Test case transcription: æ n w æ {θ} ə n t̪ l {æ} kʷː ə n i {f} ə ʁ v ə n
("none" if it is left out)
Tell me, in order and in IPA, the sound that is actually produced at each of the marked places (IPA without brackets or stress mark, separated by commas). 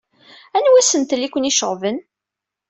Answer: s, i, ʃ